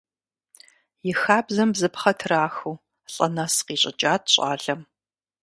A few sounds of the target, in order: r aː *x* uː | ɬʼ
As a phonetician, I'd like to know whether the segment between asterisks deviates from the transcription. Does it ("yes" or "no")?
no